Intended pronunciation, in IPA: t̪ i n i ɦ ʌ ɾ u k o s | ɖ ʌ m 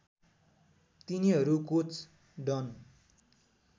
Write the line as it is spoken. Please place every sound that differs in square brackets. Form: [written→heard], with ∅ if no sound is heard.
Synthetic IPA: t̪ i n i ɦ ʌ ɾ u k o [s→t͡s] | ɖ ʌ [m→n]